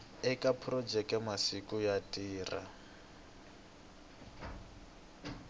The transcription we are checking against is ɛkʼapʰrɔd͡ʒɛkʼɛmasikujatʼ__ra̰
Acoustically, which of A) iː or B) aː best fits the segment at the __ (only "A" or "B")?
A